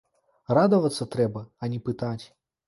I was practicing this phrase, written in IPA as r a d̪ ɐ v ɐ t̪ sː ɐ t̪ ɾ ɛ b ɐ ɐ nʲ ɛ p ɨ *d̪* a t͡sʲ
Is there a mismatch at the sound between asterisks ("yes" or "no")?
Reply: yes